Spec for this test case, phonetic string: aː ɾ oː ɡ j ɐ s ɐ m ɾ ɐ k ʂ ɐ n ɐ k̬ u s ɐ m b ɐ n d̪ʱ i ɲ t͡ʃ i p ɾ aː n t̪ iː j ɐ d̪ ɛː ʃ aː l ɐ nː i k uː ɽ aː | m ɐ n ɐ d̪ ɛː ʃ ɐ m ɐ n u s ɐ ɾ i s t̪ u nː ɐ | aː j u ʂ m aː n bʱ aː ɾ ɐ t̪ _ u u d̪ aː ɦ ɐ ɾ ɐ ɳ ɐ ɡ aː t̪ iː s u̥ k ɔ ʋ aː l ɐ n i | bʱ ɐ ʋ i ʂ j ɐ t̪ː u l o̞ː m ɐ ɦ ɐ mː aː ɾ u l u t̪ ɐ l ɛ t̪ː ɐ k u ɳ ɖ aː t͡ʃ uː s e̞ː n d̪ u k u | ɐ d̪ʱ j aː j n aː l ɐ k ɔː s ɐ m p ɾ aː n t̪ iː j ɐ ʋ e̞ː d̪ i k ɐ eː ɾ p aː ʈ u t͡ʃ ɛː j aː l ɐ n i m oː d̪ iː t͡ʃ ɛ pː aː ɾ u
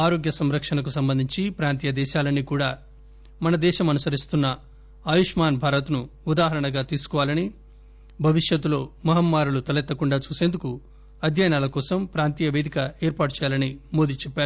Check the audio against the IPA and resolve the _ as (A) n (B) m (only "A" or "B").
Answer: A